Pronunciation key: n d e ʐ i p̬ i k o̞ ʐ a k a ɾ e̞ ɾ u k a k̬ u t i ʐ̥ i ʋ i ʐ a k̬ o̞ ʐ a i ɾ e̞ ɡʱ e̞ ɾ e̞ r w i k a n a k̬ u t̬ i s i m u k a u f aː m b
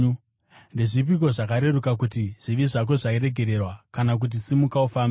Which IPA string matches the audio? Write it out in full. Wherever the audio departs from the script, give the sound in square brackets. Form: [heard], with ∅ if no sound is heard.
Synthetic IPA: n d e ʐ i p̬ i k o̞ ʐ a k a ɾ e̞ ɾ u k a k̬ u t i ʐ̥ i ʋ i ʐ a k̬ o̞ ʐ a i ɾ e̞ ɡʱ e̞ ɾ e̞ r w [a] k a n a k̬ u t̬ i s i m u k a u f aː m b